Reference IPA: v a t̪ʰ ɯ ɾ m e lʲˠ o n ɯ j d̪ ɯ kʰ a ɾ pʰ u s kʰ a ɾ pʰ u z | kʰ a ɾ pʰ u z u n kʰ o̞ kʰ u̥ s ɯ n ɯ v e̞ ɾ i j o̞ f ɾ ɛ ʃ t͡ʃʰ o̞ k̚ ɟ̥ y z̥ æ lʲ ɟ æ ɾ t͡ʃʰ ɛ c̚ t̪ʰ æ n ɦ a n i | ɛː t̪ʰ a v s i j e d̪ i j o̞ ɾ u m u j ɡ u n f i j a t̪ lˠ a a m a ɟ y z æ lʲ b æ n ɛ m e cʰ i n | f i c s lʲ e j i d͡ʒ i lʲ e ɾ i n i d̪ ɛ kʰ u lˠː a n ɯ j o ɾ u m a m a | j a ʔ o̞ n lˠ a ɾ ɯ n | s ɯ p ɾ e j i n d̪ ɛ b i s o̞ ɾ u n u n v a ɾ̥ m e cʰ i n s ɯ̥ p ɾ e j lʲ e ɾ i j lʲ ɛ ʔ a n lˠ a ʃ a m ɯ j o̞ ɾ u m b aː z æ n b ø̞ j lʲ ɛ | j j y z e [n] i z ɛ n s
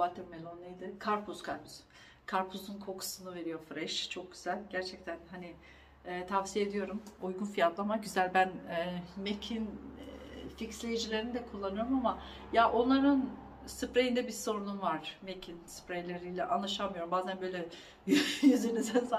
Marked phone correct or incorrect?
correct